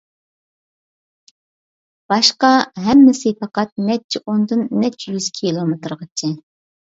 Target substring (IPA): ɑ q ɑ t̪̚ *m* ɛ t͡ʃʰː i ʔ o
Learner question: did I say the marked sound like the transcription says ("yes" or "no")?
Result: no